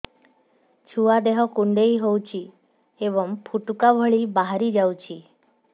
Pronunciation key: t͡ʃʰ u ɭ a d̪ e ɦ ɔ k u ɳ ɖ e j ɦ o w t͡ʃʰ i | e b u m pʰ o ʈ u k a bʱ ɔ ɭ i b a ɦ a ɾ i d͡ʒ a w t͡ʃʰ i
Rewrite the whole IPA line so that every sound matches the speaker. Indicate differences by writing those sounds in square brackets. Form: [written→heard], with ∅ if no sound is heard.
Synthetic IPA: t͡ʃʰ u [ɭ→∅] a d̪ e ɦ ɔ k u ɳ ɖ e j ɦ o w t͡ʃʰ i | e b [u→ɔ] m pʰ [o→u] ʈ u k a bʱ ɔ ɭ i b a ɦ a ɾ i d͡ʒ a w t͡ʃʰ i